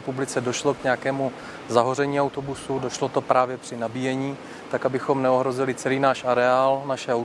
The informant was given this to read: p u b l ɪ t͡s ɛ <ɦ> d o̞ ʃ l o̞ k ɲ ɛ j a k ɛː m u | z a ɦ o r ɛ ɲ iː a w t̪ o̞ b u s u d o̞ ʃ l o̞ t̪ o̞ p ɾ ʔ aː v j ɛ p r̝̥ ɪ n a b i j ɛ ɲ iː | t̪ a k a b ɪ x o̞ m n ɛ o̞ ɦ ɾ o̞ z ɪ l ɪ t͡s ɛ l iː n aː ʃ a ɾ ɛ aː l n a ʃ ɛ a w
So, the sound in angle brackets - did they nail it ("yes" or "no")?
no